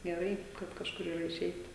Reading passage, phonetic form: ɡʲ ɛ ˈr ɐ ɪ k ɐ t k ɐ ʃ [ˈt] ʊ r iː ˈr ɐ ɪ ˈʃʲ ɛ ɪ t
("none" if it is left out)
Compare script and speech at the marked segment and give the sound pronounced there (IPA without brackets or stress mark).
k